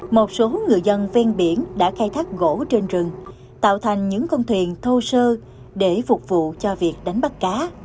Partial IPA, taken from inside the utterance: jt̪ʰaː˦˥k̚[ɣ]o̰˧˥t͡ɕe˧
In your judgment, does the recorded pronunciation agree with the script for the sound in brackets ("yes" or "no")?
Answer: yes